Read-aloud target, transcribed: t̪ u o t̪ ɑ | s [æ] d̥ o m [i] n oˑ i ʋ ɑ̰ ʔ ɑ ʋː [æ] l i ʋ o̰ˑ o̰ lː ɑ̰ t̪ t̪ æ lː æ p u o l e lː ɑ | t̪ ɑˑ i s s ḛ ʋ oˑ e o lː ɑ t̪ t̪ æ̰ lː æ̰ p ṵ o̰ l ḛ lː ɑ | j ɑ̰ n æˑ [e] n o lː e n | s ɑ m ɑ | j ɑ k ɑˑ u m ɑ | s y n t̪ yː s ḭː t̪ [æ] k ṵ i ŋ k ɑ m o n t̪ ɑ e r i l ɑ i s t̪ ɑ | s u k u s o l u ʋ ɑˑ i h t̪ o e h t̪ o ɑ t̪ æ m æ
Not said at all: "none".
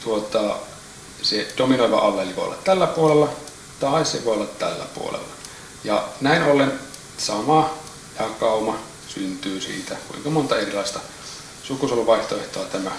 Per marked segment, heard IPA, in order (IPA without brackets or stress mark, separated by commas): e, i, e, i, æ